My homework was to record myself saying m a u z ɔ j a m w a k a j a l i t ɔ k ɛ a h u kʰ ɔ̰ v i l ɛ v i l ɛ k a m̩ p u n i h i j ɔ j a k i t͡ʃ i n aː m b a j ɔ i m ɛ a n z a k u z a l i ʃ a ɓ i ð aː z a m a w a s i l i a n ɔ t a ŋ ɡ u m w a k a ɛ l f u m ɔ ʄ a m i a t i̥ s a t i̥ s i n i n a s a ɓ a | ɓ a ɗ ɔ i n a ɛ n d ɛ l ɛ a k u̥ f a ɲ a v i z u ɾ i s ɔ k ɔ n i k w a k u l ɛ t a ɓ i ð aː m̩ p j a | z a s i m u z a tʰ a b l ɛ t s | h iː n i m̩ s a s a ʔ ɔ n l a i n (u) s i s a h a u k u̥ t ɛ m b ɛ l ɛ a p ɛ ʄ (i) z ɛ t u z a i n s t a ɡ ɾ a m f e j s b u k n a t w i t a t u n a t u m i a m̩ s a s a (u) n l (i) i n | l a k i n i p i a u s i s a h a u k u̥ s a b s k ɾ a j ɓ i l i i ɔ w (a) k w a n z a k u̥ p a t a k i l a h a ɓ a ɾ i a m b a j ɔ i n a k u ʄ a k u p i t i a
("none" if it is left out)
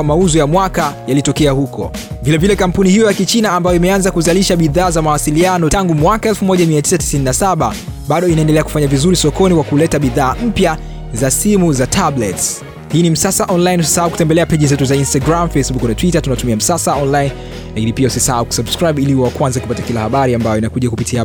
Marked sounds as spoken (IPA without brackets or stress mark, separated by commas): u, i, ɔ, a, a